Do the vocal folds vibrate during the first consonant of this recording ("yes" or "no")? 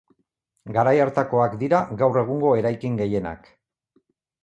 yes